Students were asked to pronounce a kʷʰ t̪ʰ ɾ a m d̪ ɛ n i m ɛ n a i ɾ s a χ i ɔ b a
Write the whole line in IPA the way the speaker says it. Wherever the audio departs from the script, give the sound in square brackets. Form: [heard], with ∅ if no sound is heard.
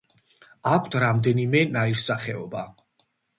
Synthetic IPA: a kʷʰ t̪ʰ ɾ a m d̪ ɛ n i m ɛ n a i ɾ s a χ [ɛ] ɔ b a